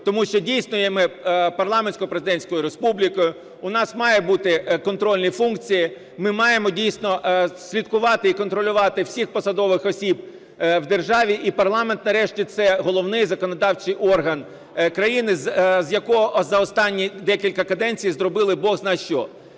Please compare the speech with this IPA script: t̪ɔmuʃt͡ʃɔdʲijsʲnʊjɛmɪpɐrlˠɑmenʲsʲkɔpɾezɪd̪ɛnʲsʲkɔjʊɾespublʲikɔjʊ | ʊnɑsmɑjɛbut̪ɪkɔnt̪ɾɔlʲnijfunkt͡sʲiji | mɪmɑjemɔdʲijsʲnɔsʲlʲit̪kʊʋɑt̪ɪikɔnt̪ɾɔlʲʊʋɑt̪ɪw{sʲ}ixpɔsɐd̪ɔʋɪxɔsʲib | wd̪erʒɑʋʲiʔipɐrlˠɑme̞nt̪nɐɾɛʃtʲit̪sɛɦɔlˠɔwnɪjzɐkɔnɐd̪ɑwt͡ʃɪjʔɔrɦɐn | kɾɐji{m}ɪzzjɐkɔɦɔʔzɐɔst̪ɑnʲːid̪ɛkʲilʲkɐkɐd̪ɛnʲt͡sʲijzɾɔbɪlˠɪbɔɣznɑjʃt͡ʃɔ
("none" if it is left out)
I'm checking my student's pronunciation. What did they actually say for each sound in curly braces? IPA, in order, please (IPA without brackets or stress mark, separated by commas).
sʲ, n